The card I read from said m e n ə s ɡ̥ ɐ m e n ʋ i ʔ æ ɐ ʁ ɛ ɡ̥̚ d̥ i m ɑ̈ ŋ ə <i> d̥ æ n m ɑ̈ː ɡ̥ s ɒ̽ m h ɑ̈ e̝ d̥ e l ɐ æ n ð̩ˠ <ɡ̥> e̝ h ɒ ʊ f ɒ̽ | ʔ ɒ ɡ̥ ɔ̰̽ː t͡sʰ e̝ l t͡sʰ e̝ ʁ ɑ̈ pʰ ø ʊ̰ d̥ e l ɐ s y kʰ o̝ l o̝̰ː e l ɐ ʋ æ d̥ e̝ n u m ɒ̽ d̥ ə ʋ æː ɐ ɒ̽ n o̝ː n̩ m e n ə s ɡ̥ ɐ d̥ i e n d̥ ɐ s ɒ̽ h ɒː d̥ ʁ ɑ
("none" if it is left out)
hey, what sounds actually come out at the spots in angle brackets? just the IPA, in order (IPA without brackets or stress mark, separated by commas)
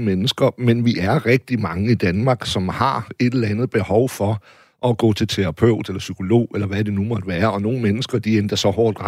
i, b̥